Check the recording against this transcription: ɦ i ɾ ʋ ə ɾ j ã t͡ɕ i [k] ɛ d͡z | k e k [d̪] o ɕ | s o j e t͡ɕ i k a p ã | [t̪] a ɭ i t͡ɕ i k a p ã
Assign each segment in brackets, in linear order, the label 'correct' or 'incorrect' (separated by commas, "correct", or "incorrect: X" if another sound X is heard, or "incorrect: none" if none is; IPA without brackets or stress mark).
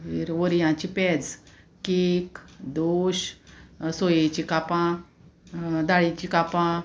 incorrect: p, correct, incorrect: d̪